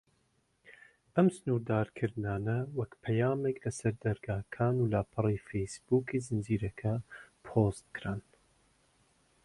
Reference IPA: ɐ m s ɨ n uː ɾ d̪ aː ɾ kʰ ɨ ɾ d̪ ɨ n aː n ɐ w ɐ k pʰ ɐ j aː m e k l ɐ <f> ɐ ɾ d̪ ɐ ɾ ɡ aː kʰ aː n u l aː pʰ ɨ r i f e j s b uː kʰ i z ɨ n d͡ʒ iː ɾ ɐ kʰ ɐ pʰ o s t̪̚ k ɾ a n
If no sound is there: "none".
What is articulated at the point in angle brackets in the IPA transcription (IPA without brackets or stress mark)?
s